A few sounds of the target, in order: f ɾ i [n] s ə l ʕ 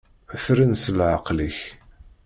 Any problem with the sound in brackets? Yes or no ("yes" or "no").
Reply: no